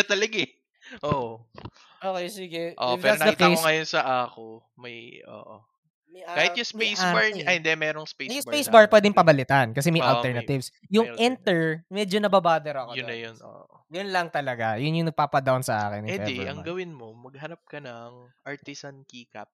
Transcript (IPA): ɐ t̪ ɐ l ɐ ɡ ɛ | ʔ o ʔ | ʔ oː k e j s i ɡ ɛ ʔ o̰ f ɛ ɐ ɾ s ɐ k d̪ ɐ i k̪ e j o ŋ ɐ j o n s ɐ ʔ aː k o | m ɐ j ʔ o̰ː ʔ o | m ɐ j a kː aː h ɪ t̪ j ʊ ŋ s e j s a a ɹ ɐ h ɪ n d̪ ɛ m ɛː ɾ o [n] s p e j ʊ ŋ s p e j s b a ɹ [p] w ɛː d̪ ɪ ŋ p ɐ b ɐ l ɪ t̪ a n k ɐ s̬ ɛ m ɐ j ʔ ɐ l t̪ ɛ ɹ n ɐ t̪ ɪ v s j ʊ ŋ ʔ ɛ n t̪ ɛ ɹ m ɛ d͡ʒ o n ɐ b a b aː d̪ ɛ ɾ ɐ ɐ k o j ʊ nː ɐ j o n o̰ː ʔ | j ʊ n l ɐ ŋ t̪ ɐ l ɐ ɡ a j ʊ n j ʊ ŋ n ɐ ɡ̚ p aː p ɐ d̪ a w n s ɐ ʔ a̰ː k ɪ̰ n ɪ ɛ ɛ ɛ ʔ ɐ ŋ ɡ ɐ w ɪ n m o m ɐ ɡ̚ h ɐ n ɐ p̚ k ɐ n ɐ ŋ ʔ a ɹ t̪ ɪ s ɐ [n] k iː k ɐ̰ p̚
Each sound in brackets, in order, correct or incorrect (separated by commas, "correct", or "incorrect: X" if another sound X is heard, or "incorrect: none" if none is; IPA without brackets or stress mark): incorrect: ŋ, correct, correct